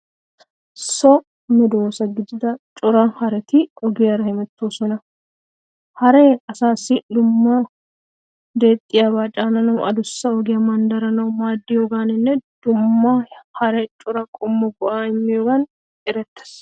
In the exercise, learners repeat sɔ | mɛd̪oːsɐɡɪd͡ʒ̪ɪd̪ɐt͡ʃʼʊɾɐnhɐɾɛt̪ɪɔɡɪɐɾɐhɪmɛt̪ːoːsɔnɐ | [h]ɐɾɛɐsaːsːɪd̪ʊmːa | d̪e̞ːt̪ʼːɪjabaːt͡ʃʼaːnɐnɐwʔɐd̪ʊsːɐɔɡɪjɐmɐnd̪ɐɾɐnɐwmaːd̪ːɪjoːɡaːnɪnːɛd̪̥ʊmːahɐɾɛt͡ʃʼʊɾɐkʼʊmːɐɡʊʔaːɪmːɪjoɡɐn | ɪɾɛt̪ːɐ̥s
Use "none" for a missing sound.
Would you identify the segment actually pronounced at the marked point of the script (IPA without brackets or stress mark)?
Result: h